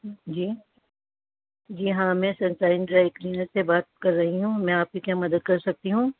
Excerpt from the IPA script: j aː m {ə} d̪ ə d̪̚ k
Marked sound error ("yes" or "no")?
yes